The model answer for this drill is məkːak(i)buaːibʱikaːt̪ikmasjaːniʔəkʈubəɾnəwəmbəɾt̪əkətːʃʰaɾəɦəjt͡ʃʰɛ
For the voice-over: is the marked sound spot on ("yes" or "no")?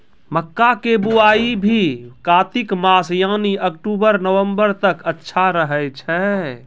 no